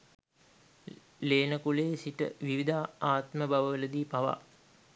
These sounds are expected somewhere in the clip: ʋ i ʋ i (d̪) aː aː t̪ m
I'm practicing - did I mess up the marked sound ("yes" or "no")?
no